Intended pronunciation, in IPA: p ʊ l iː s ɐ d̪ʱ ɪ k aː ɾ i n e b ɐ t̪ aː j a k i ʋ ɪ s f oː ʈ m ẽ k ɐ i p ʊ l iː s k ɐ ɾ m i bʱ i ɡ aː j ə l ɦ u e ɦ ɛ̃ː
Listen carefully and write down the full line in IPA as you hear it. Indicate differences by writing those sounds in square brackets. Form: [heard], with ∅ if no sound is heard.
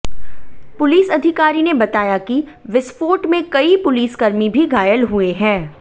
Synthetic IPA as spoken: p ʊ l iː s ɐ d̪ʱ ɪ k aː ɾ i n e b ɐ t̪ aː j a k i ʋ ɪ s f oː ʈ m ẽ k ɐ i p ʊ l iː s k ɐ ɾ m i bʱ i ɡ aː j ə l ɦ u e ɦ ɛ̃ː